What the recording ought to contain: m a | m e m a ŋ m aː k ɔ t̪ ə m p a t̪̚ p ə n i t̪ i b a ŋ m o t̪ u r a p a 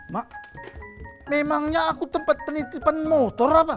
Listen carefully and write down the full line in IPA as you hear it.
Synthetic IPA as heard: m a | m e m a ŋ ɲ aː k u t̪ ə m p a t̪̚ p ə n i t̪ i p a n m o t̪ ɔ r a p a